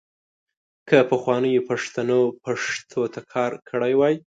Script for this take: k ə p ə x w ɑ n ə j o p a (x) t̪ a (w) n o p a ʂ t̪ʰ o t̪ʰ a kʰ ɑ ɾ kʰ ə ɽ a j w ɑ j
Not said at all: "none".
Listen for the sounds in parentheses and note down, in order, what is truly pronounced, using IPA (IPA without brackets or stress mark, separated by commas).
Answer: ʂ, none